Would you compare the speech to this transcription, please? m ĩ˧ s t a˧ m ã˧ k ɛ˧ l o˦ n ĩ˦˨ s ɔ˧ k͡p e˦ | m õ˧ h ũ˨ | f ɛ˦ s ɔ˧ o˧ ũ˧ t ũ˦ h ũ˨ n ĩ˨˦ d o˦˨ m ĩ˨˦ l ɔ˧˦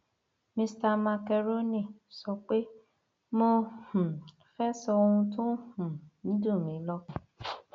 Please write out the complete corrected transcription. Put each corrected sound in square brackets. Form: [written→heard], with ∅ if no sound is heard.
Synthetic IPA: m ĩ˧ s t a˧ m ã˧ k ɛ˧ [l→ɾ] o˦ n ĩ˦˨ s ɔ˧ k͡p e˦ | m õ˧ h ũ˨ | f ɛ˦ s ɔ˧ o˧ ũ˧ t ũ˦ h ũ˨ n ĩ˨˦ d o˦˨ m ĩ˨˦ l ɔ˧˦